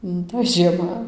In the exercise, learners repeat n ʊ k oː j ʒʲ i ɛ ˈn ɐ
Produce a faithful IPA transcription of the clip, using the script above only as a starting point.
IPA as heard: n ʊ t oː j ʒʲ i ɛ ˈm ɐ